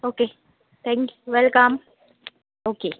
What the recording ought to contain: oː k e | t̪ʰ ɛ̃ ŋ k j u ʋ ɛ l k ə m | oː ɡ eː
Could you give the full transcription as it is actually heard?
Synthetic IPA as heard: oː k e | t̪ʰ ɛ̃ ŋ k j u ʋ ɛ l k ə m | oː k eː